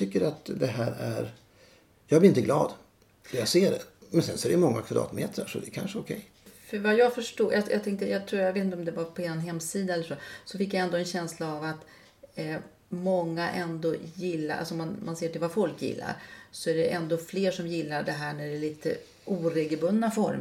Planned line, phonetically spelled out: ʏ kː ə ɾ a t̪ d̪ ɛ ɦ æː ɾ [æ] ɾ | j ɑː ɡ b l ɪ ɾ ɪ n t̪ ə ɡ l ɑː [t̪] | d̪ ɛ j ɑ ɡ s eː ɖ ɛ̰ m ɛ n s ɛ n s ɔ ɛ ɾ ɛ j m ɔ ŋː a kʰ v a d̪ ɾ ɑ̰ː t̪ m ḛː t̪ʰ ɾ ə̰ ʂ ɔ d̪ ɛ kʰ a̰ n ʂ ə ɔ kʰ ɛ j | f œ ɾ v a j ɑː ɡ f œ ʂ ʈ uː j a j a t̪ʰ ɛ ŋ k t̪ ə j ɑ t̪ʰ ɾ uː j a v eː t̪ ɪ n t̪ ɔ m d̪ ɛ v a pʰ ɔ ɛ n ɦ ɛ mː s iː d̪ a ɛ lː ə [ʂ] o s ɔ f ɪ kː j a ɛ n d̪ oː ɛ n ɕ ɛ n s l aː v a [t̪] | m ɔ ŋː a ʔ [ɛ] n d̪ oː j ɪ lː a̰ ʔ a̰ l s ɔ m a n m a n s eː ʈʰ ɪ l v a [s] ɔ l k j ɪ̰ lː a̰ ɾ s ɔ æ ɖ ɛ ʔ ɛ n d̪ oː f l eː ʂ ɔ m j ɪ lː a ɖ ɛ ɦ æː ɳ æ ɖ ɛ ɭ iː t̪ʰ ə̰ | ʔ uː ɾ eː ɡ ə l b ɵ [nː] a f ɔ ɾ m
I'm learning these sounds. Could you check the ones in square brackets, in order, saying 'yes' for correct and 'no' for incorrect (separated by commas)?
yes, no, yes, yes, yes, no, yes